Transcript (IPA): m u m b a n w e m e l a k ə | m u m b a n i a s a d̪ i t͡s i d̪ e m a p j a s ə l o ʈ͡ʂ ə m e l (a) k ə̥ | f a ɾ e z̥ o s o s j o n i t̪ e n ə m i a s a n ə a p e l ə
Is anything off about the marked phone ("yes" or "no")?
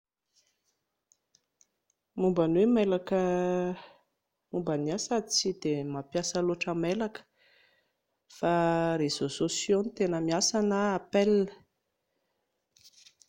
no